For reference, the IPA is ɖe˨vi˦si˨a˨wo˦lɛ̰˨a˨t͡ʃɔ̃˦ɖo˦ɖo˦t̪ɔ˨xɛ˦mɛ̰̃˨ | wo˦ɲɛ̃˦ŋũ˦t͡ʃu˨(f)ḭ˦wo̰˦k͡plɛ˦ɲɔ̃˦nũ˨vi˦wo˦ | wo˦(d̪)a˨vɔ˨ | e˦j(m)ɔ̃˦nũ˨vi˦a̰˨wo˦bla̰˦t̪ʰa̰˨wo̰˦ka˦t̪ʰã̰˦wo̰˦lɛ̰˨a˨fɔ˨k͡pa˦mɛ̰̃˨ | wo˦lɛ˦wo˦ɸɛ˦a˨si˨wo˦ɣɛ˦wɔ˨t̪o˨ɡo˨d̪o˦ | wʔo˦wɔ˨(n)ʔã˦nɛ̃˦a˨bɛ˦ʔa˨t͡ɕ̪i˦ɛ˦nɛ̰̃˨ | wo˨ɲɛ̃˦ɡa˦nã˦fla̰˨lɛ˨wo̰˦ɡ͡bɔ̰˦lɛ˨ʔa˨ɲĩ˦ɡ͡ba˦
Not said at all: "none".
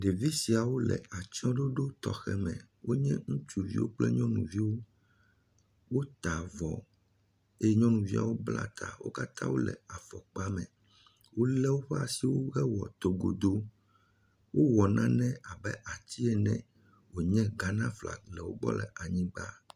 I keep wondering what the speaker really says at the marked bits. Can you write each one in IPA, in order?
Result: v, t̪, ɲ, n

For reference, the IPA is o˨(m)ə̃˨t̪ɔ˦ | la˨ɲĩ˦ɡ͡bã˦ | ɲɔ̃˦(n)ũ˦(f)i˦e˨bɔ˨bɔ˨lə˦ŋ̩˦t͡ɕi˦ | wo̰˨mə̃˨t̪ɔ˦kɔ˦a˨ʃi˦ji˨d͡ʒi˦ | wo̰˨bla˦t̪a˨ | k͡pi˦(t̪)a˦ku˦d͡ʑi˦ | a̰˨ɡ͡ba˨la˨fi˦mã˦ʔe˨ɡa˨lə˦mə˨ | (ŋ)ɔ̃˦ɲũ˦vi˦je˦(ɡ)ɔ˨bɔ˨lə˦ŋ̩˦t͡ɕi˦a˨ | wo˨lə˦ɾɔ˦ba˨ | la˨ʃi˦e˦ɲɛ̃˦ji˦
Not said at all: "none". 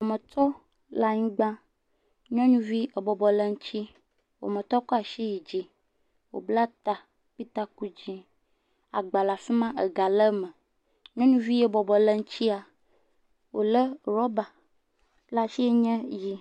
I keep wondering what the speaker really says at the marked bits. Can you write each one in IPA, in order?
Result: m, ɲ, v, t̪, ɲ, b

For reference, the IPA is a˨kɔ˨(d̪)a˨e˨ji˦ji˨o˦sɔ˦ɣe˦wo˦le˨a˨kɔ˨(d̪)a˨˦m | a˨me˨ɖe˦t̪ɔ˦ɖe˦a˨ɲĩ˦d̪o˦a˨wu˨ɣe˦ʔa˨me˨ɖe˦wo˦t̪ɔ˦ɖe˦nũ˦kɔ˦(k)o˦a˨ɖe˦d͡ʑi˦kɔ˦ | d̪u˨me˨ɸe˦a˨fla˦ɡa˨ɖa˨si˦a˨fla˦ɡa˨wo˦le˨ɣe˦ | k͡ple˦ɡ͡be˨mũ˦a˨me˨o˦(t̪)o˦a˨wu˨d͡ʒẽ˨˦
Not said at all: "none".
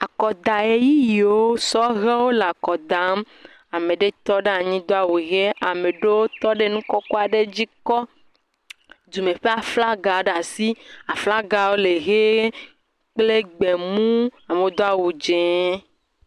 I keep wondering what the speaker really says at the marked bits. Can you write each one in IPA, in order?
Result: d̪, d̪, k, d̪

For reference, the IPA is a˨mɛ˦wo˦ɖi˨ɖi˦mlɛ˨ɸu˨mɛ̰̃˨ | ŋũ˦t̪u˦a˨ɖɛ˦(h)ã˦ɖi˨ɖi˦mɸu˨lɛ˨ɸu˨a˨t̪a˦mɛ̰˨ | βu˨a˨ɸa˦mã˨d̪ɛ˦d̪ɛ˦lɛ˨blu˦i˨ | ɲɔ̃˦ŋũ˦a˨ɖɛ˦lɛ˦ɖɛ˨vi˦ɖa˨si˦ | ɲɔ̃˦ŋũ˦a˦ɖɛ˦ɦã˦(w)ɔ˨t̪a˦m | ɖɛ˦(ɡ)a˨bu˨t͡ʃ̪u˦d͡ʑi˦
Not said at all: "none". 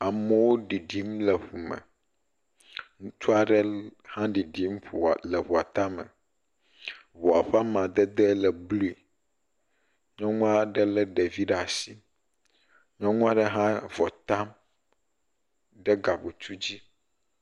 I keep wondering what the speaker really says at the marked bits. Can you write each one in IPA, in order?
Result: h, v, ɡ

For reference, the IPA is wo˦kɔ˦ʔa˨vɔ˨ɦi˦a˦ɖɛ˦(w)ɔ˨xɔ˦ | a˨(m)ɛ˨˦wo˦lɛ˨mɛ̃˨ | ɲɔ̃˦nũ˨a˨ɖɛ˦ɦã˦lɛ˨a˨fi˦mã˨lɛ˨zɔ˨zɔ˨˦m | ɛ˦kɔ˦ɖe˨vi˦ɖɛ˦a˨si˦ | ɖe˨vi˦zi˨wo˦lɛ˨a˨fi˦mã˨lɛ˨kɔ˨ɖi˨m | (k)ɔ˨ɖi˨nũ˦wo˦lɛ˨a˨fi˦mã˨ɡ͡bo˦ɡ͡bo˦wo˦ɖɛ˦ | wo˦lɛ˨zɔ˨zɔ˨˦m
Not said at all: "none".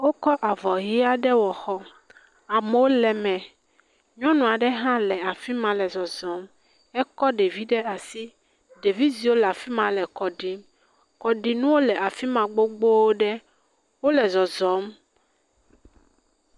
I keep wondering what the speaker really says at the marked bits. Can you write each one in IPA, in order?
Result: w, m, k

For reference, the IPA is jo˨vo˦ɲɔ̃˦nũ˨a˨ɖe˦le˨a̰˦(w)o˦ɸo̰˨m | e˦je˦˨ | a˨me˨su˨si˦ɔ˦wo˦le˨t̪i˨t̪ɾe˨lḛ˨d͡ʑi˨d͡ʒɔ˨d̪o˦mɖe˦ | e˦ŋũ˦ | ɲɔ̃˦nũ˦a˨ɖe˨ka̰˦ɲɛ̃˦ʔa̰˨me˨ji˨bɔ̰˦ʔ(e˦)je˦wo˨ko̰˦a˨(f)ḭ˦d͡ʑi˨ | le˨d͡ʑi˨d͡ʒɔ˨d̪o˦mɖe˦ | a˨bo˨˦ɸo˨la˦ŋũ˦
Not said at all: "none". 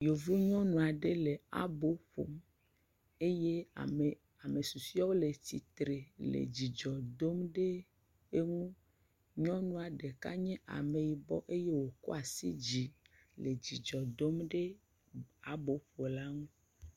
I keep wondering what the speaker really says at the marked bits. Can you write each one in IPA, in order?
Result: b, e˦, s

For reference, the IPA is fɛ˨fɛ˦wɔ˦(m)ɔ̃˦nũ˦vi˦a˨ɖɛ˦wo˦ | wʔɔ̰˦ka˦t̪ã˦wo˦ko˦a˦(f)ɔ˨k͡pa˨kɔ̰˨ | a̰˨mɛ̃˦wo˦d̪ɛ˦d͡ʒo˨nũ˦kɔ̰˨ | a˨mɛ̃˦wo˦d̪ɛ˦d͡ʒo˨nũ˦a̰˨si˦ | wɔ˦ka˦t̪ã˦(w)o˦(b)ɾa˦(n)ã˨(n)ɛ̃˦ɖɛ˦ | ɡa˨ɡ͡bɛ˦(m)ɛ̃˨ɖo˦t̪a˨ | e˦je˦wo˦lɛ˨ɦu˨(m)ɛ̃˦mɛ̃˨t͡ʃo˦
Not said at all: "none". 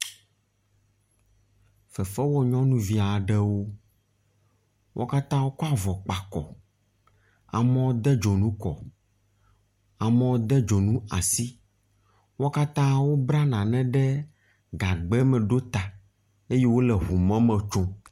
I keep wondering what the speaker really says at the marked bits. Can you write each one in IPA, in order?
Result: ɲ, v, w, b, n, n, m, m

